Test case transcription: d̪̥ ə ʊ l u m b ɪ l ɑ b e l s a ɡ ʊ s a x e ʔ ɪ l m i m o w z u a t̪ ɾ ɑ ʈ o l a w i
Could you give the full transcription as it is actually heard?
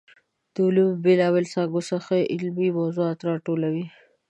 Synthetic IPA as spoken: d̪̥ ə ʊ l u m b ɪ l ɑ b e l s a ɡ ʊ s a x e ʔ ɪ l m i m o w z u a t̪ ɾ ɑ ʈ o l a w i